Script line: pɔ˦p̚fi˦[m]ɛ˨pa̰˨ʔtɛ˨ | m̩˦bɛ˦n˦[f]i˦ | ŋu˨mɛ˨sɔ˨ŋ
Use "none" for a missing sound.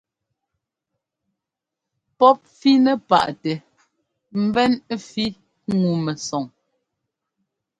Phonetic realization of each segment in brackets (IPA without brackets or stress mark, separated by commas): n, f